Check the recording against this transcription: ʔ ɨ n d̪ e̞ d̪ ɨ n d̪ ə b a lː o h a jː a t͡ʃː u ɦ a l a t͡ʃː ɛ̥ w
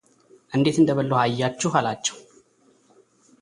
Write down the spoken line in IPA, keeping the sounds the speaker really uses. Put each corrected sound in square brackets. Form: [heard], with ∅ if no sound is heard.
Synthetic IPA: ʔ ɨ n d̪ e̞ [t̪] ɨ n d̪ ə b [ə] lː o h a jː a t͡ʃː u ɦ a l a t͡ʃː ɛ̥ w